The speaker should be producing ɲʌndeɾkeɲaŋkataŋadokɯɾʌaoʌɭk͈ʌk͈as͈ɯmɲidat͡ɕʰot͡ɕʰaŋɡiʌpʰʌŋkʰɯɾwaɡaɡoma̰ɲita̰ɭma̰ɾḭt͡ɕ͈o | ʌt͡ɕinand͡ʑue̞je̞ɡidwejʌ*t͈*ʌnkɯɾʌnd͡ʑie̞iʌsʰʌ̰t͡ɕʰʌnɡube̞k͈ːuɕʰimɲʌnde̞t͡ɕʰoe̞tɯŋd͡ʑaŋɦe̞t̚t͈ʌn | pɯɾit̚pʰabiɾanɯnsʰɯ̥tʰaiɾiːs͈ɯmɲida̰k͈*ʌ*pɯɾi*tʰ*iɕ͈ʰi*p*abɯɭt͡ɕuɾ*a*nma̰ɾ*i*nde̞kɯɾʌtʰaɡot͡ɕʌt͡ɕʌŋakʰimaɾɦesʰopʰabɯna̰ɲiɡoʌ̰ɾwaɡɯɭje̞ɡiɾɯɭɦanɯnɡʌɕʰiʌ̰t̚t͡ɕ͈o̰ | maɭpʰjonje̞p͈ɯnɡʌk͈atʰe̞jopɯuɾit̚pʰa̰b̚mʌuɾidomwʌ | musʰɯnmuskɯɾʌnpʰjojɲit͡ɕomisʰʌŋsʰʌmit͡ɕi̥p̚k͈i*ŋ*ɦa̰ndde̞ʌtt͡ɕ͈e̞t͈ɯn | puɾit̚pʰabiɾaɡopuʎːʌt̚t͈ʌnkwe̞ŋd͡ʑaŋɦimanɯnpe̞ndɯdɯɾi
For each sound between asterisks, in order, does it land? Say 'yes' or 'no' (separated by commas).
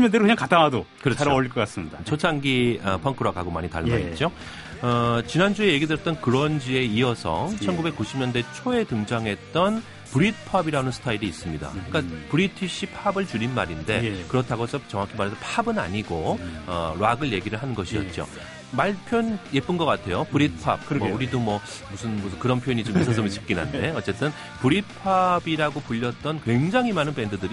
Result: yes, no, yes, no, no, yes, no